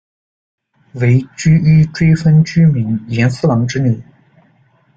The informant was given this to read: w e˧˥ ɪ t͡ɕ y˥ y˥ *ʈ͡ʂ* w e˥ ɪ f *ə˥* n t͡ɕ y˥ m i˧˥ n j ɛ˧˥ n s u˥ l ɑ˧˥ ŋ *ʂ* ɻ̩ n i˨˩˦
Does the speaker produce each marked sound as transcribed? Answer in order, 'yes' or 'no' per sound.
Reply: yes, yes, no

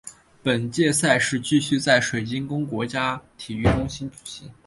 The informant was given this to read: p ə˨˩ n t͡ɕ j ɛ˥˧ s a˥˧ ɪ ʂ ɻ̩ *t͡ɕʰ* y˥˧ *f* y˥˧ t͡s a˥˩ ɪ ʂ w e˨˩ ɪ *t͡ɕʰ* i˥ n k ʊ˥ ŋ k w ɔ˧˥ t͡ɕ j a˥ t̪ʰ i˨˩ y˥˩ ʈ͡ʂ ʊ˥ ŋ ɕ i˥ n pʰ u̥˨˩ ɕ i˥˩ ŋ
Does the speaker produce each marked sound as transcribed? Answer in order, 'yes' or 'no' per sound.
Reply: no, no, no

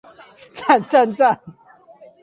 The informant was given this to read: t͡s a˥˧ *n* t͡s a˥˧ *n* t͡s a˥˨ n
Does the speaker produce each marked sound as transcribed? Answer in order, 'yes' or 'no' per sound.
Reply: yes, yes

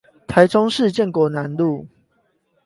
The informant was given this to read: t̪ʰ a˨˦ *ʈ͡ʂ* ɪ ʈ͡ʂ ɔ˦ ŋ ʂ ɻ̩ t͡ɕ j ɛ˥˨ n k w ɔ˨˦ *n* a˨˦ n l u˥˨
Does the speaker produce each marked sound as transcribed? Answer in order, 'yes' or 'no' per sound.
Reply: no, yes

